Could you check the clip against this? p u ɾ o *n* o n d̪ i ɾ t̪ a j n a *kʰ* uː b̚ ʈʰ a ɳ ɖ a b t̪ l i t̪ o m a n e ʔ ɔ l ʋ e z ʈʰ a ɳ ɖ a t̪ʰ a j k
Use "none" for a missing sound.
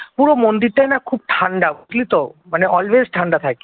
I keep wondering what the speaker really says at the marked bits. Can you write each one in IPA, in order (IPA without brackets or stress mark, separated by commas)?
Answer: m, kʰ